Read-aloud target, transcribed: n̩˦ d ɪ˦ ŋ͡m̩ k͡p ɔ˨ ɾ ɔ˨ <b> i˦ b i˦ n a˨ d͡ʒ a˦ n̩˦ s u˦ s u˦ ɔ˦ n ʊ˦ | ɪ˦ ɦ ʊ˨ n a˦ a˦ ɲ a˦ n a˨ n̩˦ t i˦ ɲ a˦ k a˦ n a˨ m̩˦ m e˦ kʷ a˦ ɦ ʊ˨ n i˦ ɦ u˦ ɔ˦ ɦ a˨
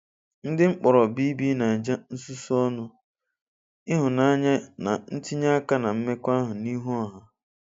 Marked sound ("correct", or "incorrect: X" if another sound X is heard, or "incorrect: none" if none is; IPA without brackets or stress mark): correct